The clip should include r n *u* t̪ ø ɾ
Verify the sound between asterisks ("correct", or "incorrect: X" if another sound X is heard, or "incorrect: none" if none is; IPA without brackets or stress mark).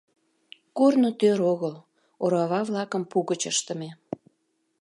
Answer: incorrect: o